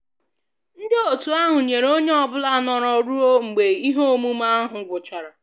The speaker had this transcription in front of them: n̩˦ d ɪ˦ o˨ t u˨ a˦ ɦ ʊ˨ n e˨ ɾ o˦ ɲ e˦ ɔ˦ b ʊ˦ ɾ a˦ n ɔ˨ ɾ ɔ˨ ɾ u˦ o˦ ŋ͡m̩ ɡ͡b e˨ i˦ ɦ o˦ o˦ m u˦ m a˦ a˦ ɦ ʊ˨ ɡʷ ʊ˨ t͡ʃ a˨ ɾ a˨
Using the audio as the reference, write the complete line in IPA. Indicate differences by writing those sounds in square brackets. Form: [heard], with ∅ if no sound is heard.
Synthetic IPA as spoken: n̩˦ d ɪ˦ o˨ t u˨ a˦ ɦ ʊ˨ [ɲ] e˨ ɾ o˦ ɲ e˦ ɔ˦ b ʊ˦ [l] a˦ n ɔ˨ ɾ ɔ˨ ɾ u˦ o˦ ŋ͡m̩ ɡ͡b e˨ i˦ ɦ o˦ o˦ m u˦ m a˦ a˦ ɦ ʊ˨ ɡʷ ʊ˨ t͡ʃ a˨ ɾ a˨

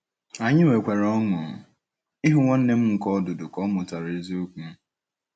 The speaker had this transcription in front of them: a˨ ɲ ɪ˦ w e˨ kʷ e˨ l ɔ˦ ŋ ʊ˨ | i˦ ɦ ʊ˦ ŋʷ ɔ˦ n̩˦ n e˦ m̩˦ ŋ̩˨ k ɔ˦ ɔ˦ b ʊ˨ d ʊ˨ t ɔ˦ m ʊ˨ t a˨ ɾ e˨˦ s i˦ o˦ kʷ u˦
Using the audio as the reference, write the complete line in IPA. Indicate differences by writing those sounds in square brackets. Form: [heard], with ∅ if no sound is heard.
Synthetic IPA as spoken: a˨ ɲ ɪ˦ w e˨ kʷ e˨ [ɾ] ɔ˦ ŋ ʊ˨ | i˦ ɦ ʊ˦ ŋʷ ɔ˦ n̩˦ n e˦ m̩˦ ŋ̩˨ k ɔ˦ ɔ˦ [d] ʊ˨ d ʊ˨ [k] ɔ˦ m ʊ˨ t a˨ ɾ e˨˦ [z] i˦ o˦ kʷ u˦

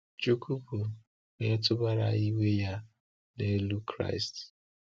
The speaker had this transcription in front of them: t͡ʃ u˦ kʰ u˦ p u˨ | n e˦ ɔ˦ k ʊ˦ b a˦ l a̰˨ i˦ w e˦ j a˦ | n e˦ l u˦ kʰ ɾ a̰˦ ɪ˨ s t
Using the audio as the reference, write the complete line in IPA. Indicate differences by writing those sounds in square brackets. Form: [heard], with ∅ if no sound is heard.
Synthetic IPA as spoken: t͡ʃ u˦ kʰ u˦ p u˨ | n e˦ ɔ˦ [t] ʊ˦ b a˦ [ɾ] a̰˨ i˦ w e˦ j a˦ | n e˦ l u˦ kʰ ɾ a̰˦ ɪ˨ s t

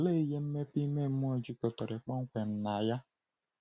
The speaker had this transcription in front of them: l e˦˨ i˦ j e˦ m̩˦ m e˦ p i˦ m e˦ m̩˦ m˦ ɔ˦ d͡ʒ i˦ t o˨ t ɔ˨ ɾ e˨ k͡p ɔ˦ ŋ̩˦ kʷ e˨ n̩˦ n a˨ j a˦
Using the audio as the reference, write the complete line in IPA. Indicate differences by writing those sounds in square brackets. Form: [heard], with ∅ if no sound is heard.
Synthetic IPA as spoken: l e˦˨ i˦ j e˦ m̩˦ m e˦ p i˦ m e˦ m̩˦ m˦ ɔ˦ d͡ʒ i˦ [k] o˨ t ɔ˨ ɾ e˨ k͡p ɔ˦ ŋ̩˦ kʷ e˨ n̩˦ n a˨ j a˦

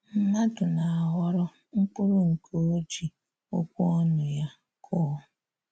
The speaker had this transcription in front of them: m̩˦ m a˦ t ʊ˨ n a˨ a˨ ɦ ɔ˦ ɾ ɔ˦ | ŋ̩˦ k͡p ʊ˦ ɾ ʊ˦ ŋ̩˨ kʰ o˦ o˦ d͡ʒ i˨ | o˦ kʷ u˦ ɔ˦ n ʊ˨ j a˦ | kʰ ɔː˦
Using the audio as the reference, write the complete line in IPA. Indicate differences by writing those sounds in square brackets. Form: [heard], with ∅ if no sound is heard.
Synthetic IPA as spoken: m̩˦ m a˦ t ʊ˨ n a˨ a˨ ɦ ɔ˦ ɾ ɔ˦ | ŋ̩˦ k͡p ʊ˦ ɾ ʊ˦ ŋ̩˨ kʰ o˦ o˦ d͡ʒ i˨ | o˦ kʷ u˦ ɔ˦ n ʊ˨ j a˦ | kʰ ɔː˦

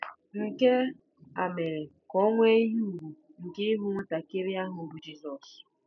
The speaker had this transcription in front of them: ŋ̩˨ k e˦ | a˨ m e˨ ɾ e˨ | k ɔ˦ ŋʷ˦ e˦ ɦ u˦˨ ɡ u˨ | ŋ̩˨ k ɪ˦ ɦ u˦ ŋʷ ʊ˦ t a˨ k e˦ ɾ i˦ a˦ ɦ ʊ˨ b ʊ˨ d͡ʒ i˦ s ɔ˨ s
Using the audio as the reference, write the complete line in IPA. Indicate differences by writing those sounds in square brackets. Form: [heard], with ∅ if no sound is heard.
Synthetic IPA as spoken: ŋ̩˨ k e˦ | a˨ m e˨ ɾ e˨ | k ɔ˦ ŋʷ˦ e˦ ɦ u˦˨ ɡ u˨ | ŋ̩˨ k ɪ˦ ɦ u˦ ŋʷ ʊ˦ t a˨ k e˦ ɾ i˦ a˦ ɦ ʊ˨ b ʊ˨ d͡ʒ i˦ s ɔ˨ s

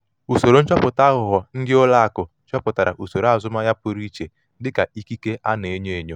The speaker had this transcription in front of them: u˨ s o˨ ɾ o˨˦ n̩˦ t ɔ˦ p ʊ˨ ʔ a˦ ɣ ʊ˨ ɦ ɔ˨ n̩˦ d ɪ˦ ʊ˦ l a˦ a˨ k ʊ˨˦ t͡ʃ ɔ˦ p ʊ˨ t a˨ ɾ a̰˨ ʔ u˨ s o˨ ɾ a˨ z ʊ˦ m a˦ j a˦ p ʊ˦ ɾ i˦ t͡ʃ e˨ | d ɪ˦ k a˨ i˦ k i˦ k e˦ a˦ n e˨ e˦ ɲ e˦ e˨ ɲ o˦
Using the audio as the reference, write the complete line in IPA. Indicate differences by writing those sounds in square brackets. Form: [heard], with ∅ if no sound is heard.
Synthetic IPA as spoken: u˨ s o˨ ɾ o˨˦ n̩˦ [t͡ʃ] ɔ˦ p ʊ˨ [t] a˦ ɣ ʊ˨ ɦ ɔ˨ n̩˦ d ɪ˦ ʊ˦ l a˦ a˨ k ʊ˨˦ t͡ʃ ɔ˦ p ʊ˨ t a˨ ɾ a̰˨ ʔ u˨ s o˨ ɾ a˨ z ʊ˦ m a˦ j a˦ p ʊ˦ ɾ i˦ t͡ʃ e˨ | d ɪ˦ k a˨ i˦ k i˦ k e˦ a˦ n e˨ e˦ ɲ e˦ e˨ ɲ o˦

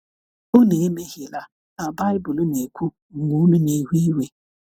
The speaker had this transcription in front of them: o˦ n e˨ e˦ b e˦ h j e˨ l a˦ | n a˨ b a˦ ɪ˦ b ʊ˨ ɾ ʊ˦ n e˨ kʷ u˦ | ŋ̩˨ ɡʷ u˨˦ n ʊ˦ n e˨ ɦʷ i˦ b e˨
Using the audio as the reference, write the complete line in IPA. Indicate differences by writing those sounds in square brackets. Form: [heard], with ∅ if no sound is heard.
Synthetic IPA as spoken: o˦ n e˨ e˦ [m] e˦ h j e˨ l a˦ | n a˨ b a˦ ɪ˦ b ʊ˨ [l] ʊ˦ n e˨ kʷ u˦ | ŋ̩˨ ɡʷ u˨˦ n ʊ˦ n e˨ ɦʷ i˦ [w] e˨

